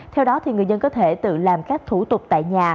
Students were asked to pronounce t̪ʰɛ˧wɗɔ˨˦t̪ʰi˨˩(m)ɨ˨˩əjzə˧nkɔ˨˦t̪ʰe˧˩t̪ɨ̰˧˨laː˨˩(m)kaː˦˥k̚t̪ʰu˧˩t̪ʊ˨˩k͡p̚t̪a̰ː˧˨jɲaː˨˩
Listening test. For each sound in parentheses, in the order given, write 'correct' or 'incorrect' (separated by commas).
incorrect, correct